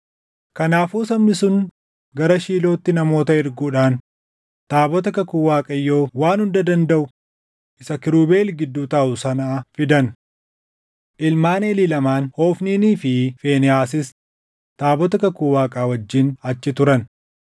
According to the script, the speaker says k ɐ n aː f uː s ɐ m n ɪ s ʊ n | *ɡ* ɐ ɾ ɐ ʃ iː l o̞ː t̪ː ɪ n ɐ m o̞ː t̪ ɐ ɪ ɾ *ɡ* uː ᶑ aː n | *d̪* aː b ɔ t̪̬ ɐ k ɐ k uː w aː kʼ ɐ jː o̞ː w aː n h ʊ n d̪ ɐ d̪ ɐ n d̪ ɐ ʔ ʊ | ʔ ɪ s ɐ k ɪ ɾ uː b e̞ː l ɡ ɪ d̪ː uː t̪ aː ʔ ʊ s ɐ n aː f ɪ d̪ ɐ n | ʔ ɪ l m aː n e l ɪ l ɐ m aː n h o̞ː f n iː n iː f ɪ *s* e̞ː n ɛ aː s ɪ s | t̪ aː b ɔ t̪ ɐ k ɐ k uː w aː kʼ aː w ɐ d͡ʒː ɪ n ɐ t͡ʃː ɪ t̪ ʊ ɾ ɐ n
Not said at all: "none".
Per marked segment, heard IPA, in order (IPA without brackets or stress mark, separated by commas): ɡ, ɡ, t̪, f